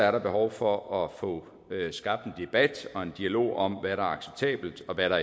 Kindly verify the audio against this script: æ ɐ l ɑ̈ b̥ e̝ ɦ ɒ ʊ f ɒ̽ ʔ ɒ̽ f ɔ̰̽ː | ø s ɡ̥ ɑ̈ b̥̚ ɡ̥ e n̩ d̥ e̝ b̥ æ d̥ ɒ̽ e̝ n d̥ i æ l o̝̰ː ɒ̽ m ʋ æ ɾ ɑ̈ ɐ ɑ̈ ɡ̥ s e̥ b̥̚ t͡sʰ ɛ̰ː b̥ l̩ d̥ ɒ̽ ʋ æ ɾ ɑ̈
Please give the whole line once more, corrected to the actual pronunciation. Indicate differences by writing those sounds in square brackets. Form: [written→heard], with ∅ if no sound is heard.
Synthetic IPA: æ ɐ [l→ɾ] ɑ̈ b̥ e̝ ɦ ɒ ʊ f ɒ̽ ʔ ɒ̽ f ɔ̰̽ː | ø s ɡ̥ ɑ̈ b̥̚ [ɡ̥→d̥] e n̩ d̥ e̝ b̥ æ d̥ ɒ̽ e̝ n d̥ i æ l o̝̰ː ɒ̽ m ʋ æ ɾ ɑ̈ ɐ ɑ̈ ɡ̥ s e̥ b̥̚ t͡sʰ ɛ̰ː b̥ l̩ d̥ ɒ̽ ʋ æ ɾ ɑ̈